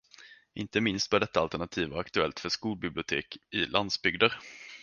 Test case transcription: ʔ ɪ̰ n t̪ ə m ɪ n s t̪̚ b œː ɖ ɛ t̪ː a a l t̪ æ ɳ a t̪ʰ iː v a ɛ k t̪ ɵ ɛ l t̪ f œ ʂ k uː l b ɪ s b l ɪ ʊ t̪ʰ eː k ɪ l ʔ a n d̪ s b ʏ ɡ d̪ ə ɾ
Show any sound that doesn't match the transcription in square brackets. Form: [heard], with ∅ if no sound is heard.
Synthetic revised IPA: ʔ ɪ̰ n t̪ ə m ɪ n s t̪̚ b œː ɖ ɛ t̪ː a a l t̪ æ ɳ a t̪ʰ iː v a [a] k t̪ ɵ ɛ l t̪ f œ ʂ k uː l b ɪ [∅] b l ɪ ʊ t̪ʰ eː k ɪ l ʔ a n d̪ s b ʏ ɡ d̪ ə ɾ